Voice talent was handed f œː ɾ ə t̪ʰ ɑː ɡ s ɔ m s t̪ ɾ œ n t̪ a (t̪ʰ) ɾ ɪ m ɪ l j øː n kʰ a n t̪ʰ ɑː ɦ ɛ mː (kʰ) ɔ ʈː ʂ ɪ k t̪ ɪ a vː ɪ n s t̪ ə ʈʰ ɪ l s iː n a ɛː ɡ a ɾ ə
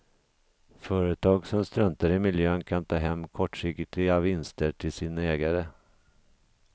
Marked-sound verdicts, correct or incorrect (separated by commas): incorrect, correct